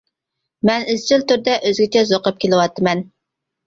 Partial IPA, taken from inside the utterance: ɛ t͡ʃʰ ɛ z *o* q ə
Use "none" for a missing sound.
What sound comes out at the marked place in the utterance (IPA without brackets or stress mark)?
o